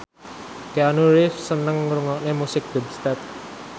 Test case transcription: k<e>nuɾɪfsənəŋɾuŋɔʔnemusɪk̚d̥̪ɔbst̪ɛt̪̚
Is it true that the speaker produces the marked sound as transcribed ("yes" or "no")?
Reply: no